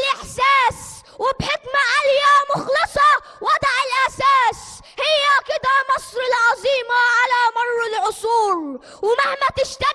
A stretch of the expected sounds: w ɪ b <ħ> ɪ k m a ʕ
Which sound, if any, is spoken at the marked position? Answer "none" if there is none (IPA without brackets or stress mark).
ħ